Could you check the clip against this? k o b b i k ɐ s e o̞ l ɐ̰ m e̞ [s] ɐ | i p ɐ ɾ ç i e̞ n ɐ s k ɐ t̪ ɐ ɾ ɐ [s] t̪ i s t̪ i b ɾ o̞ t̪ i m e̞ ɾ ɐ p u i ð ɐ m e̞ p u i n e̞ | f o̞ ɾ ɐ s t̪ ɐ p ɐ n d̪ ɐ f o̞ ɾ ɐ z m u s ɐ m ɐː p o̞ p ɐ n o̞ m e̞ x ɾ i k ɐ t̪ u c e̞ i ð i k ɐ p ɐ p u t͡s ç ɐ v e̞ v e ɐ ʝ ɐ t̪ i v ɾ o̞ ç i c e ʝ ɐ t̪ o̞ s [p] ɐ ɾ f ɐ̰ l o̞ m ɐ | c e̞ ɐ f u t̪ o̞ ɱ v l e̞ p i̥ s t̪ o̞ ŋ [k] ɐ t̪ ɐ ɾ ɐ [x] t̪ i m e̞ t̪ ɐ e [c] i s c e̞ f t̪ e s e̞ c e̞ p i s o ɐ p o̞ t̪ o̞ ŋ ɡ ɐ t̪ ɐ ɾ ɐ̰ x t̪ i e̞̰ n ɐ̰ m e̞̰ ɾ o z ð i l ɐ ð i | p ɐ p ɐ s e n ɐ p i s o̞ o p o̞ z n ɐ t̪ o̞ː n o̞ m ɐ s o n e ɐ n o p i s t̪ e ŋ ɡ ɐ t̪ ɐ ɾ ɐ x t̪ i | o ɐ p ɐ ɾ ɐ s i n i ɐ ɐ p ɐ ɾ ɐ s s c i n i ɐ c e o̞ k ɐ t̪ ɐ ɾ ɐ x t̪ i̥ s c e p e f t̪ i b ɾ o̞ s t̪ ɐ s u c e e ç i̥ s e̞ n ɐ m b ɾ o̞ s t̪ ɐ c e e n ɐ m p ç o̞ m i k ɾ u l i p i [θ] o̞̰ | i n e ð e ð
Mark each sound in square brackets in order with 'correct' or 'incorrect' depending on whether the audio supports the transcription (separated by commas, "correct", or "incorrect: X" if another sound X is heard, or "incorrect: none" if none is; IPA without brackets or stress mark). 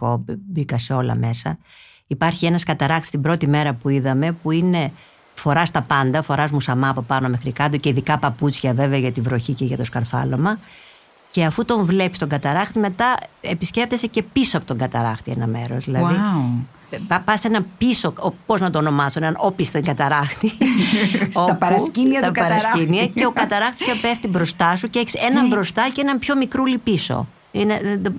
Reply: correct, incorrect: x, incorrect: k, incorrect: ɡ, correct, incorrect: p, incorrect: s